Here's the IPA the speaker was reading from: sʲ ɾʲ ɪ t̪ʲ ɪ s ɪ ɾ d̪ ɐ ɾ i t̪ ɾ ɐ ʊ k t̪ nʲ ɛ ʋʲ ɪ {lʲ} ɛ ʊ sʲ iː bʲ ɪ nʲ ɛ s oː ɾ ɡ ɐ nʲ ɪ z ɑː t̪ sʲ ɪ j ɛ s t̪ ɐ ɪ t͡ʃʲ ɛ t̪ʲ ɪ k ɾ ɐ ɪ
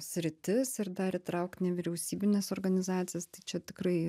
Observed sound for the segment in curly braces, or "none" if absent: ɾʲ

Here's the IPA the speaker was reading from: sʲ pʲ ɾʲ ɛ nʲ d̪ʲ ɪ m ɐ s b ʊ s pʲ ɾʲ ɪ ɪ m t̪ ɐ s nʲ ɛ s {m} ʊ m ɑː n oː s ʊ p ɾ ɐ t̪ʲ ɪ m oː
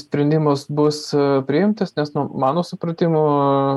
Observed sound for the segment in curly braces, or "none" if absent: n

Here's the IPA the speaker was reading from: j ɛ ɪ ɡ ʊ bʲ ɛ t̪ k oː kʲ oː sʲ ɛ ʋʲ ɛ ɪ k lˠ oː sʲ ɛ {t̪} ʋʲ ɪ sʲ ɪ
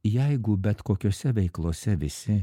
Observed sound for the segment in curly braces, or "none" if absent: none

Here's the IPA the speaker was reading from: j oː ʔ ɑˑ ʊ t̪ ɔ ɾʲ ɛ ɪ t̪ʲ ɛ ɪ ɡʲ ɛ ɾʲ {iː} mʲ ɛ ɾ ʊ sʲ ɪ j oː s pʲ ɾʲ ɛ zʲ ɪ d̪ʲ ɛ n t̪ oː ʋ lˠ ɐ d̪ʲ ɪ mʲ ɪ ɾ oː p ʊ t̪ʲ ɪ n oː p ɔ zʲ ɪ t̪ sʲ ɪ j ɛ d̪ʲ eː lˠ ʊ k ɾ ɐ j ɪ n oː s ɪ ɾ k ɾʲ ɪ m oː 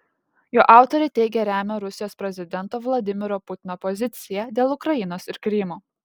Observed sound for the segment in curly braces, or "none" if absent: æː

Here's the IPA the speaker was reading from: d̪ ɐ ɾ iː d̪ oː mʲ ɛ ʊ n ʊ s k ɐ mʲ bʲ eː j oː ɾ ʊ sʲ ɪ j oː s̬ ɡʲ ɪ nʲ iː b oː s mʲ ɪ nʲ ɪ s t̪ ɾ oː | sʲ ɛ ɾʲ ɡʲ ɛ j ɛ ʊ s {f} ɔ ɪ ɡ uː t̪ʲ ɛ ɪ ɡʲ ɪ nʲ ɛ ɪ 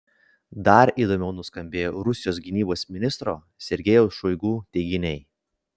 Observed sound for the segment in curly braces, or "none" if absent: ʃ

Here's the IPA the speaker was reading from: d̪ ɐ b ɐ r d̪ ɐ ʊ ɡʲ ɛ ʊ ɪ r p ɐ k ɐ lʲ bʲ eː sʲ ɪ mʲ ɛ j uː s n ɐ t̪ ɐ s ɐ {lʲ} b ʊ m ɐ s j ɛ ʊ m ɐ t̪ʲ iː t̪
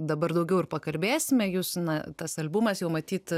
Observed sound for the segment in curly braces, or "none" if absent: lʲ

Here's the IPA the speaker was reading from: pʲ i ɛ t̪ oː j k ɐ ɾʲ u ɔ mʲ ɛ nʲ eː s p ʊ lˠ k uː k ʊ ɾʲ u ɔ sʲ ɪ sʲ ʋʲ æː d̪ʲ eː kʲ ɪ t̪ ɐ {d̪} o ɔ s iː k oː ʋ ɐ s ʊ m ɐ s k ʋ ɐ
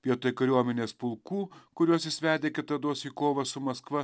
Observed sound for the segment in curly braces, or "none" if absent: d̪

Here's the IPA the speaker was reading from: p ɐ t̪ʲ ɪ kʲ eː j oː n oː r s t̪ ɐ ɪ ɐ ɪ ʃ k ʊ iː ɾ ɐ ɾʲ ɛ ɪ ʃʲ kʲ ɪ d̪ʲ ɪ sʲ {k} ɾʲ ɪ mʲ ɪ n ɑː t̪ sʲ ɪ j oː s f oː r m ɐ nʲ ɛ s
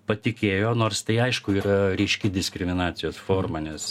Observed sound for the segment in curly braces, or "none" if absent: k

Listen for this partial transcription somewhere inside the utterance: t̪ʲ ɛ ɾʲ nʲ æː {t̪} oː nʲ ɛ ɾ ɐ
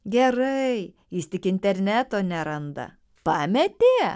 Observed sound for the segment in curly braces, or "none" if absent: t̪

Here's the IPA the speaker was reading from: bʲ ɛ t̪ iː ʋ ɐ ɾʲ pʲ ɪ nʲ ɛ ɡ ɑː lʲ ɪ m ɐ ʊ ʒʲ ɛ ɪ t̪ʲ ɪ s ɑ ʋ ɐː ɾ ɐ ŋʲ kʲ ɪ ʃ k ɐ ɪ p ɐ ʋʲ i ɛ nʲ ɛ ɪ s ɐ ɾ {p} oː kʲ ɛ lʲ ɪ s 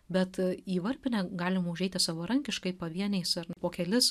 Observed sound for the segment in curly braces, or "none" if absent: p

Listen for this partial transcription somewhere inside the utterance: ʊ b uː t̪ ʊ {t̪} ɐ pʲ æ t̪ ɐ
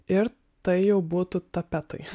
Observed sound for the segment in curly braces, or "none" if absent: t̪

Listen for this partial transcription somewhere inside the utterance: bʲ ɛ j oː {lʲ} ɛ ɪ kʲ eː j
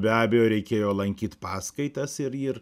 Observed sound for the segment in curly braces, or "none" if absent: ɾʲ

